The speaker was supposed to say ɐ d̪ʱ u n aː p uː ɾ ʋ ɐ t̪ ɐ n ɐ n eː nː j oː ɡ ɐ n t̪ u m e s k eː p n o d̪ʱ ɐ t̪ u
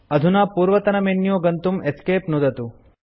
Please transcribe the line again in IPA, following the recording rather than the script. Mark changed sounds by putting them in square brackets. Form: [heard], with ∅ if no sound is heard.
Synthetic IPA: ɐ d̪ʱ u n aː p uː ɾ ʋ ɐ t̪ ɐ n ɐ [m] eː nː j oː ɡ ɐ n t̪ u m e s k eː p n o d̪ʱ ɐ t̪ u